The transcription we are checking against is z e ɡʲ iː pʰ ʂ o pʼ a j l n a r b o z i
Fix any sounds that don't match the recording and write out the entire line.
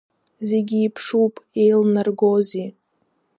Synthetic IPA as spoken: z e ɡʲ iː pʰ ʂ u pʼ e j l n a r ɡ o z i